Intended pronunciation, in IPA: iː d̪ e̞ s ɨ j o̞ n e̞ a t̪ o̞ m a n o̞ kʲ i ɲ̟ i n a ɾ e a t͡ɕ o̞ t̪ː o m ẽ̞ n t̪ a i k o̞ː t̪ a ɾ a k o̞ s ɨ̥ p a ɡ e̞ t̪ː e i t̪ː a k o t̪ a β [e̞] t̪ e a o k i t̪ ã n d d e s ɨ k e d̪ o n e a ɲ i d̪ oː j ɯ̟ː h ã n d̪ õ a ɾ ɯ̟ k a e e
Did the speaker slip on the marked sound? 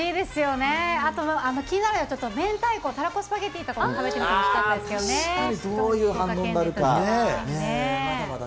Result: no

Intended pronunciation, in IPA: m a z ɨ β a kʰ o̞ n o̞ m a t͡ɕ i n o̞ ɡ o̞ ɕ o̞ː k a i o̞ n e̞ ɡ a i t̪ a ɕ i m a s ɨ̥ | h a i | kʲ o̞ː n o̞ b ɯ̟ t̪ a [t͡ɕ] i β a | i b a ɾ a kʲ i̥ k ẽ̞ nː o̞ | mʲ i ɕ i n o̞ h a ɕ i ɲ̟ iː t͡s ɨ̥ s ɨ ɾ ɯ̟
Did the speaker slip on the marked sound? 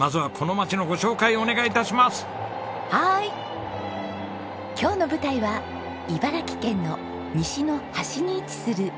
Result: yes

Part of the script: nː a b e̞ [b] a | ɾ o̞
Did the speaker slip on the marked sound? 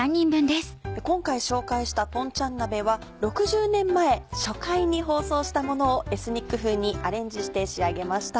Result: yes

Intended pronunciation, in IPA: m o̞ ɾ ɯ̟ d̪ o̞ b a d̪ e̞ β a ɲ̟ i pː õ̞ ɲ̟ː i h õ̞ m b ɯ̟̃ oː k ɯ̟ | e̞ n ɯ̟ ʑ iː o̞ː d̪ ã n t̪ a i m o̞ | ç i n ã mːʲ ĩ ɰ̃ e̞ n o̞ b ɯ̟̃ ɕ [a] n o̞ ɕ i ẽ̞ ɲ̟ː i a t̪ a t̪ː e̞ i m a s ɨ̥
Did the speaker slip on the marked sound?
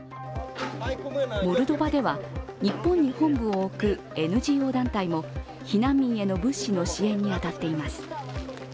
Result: yes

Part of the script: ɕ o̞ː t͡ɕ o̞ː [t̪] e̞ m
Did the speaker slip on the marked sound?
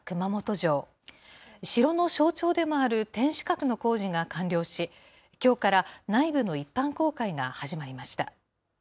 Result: yes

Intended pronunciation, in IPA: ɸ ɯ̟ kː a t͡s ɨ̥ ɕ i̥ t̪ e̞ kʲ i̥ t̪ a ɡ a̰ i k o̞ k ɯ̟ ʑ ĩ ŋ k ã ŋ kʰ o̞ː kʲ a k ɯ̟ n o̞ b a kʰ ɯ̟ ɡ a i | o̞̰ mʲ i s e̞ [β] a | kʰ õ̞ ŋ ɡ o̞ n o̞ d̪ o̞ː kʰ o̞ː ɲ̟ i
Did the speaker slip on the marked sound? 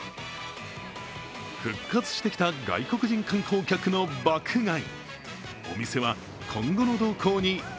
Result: no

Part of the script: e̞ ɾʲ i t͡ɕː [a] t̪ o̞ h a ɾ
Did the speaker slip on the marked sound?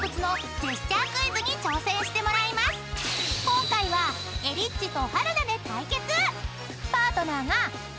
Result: yes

